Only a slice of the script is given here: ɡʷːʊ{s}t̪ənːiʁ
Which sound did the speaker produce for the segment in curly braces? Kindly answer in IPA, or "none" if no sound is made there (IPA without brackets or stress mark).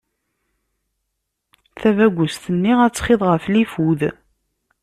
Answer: s